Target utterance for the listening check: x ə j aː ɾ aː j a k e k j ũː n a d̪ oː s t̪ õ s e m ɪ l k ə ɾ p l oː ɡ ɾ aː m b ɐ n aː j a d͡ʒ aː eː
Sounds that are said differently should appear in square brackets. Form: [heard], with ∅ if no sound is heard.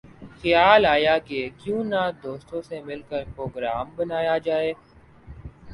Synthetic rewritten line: x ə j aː [l] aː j a k e k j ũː n a d̪ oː s t̪ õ s e m ɪ l k ə ɾ p [ɾ] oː ɡ ɾ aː m b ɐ n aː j a d͡ʒ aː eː